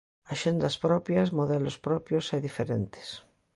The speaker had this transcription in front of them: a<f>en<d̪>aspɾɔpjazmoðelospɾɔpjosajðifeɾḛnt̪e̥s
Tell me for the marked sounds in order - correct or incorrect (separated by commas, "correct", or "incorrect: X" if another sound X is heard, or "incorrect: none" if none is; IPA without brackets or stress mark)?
incorrect: ʃ, correct